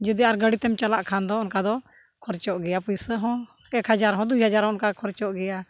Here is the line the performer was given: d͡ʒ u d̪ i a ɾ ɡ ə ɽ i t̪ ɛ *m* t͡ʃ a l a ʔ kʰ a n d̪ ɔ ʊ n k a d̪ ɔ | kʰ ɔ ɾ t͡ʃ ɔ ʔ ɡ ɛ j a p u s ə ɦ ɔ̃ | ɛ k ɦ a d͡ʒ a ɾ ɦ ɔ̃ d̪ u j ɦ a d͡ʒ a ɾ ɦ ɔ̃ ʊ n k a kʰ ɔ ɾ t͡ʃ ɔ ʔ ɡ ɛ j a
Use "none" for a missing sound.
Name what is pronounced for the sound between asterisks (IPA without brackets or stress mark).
m